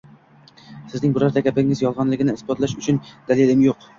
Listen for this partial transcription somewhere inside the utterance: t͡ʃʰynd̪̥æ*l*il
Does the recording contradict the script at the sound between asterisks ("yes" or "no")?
no